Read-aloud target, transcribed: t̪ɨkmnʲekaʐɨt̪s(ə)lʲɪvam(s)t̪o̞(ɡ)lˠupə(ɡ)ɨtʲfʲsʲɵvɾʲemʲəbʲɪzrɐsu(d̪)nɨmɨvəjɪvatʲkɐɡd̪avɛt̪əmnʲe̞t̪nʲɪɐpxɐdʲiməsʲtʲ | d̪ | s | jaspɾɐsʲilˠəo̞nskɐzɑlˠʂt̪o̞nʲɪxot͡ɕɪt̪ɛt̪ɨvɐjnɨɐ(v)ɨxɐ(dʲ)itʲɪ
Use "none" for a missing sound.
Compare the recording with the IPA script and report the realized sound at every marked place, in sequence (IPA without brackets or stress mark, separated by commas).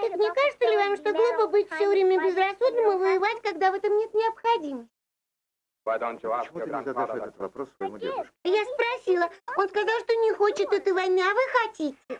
ə, ʂ, ɡ, b, d̪, v, tʲ